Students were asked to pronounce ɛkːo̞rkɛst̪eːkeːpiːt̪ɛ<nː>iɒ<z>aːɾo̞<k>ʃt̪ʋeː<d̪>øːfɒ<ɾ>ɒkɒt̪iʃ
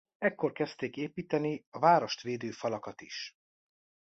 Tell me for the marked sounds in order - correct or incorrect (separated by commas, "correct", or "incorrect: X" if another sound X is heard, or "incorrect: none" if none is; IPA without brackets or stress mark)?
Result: incorrect: n, incorrect: v, incorrect: none, correct, incorrect: l